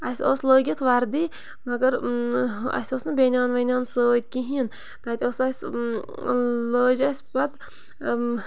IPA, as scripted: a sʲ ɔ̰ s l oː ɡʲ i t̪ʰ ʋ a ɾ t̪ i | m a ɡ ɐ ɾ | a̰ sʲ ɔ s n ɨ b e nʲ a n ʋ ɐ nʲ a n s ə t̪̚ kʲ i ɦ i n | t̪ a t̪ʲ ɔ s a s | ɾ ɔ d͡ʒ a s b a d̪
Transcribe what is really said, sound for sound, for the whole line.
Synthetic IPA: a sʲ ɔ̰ s l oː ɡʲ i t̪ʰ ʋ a ɾ d̪ i | m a ɡ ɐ ɾ | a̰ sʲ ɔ s n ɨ b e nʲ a n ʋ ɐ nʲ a n s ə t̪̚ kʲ i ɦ i n | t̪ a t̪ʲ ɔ s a s | l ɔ d͡ʒ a s b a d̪